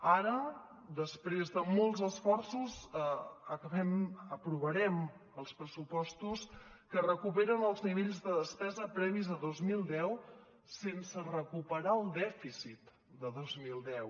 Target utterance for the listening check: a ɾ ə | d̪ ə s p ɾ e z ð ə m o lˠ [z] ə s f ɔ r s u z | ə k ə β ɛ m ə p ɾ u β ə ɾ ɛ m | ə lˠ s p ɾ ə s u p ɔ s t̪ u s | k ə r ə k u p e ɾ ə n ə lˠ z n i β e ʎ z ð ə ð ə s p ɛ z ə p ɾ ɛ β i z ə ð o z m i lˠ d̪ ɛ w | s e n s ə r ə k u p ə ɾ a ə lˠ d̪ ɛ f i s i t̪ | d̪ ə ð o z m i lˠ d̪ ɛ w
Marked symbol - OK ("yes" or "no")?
yes